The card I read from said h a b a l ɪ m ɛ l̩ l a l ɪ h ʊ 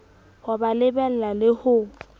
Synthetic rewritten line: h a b a l ɪ b ɛ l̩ l a l ɪ h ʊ

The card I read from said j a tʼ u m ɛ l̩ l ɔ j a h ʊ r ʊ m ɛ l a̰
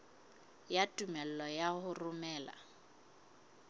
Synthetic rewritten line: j a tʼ u m ɛ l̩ l ɔ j a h ʊ r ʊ m ɛː l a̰

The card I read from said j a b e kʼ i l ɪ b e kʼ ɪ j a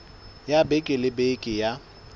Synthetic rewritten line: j a b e kʼ ɪ l ɪ b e kʼ ɪ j a

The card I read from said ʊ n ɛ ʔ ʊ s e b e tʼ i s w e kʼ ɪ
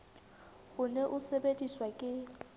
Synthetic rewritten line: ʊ n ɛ ʔ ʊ s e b e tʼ i s w a kʼ ɪ

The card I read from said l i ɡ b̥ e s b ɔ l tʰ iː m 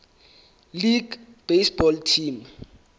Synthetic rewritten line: l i ɡ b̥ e s b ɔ l tʰ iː m

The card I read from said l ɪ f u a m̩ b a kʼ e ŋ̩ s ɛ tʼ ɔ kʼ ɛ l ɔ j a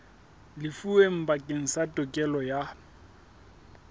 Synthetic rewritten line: l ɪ f u e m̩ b a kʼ e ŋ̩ s a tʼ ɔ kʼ ɛ l ɔ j a

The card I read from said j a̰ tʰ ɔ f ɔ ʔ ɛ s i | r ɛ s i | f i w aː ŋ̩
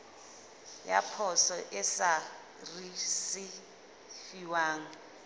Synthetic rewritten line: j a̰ pʰ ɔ s ɔ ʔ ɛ s a | r i s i | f i w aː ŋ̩

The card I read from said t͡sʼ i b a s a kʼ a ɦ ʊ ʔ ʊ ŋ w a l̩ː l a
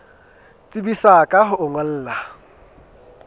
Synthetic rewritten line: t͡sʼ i b i s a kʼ a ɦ ʊ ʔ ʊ ŋ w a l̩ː l a

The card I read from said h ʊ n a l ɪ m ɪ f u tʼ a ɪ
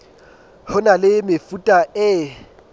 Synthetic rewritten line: h ʊ n a l ɪ m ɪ f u tʼ a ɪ

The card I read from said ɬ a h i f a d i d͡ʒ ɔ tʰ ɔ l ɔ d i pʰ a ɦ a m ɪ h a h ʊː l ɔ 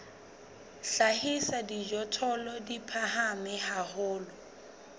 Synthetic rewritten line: ɬ a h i s a d i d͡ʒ ɔ tʰ ɔ l ɔ d i pʰ a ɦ a m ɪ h a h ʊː l ɔ

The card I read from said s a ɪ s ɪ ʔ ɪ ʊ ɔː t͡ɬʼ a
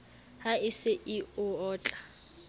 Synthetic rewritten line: h a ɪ s ɪ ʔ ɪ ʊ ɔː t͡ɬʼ a

